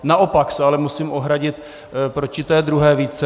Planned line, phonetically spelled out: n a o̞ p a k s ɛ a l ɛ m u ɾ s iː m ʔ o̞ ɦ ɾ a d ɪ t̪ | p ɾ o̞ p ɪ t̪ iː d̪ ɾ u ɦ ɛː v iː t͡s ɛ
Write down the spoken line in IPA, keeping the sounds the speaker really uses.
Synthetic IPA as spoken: n a o̞ p a k s ɛ a l ɛ m u s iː m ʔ o̞ ɦ ɾ a ɟ ɪ t̪ | p ɾ o̞ c ɪ t̪ ɛː d̪ ɾ u ɦ ɛː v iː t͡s ɛ